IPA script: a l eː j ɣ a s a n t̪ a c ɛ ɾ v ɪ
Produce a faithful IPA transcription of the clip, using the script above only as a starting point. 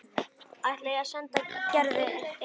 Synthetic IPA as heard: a l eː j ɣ a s ɛ n t̪ a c ɛ ɾ ð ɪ